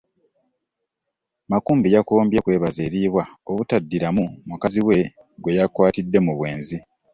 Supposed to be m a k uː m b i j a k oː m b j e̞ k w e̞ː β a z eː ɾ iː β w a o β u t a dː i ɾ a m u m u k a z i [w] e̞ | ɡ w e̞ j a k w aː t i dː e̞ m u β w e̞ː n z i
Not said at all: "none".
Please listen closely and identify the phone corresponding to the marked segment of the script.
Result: w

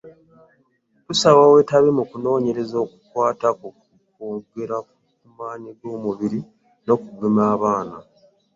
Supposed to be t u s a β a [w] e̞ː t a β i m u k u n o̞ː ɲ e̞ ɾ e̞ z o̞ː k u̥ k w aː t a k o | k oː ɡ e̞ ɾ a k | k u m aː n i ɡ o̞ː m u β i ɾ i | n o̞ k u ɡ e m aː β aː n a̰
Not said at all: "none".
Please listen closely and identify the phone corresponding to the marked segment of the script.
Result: w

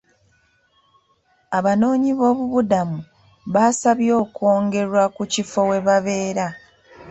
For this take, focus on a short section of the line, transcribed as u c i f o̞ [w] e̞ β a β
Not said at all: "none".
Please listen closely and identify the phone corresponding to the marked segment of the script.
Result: w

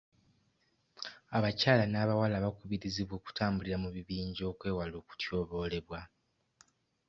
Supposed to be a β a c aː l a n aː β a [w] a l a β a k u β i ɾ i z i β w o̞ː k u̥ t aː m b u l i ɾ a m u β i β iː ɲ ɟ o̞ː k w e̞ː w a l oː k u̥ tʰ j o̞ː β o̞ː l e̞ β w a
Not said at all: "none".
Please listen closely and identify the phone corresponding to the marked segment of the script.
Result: w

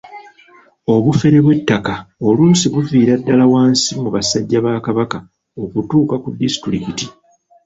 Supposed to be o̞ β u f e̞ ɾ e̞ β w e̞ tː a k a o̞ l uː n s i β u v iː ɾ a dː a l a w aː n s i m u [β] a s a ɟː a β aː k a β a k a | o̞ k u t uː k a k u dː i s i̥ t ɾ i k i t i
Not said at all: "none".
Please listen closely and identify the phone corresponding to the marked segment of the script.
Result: β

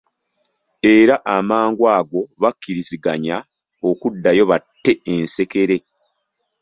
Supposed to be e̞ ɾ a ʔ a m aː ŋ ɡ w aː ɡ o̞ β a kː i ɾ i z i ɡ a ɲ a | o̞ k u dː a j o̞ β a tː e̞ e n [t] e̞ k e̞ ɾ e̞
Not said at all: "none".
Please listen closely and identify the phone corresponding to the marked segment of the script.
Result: s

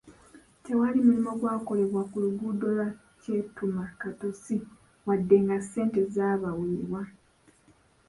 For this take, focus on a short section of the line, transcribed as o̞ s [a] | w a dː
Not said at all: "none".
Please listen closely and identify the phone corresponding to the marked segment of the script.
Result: i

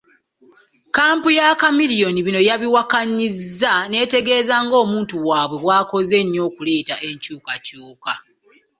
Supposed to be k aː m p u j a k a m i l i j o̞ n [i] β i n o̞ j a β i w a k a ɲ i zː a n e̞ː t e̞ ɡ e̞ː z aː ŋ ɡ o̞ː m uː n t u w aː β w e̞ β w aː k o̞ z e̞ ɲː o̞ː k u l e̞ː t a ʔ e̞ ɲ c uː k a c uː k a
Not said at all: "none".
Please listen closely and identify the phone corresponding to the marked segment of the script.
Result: i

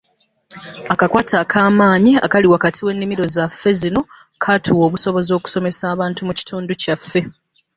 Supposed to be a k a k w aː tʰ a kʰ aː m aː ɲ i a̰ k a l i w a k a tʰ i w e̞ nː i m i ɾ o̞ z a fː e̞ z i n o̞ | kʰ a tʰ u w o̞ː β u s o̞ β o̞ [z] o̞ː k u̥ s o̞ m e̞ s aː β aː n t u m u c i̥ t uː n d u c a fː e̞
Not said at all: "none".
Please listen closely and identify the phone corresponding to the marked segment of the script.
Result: z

